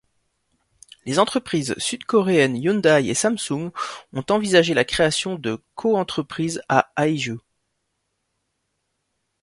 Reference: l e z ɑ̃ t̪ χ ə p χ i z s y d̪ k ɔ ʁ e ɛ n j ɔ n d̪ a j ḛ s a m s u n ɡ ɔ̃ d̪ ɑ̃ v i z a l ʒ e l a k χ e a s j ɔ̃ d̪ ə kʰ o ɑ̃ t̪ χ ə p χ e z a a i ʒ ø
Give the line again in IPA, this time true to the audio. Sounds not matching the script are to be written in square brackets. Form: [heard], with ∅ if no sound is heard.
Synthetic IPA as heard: l e z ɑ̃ t̪ χ ə p χ i z s y d̪ k ɔ ʁ e ɛ n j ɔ n d̪ a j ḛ s a m s u [ŋ] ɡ ɔ̃ [t̪] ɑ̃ v i z a [∅] ʒ e l a k χ e a s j ɔ̃ d̪ ə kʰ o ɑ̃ t̪ χ ə p χ [i] z a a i ʒ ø